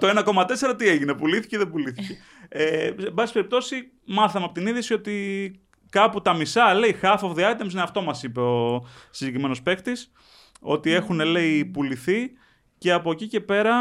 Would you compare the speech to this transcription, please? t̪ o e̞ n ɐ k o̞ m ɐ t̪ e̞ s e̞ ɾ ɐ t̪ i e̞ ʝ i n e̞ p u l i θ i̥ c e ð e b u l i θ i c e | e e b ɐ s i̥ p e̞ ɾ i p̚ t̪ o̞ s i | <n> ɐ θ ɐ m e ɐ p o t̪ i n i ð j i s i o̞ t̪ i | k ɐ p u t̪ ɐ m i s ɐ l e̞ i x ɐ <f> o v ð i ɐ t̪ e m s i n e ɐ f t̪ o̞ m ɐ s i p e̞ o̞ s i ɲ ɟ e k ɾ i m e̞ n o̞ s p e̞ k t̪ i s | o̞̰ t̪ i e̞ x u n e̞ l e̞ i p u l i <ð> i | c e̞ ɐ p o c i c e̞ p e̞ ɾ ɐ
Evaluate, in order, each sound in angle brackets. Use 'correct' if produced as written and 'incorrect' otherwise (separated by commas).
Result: incorrect, correct, incorrect